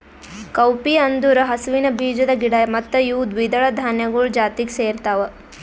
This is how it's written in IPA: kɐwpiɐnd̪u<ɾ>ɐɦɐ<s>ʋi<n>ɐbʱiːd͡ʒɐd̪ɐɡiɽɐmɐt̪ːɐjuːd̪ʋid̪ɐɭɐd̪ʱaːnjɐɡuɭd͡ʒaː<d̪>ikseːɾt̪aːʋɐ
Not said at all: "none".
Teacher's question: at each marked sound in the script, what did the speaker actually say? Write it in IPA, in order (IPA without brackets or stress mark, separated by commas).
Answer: ɾ, s, n, t̪